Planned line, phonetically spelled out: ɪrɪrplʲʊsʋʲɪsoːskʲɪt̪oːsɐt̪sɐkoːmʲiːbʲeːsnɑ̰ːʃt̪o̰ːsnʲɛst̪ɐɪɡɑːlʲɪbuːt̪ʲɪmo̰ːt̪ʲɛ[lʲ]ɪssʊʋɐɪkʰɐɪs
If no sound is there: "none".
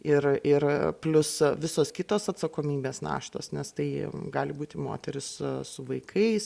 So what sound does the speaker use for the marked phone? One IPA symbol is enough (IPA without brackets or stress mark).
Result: ɾʲ